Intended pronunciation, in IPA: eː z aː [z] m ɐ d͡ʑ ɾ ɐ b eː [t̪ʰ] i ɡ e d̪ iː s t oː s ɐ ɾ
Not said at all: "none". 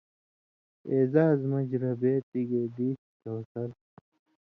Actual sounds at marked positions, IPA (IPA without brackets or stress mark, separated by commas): z, t̪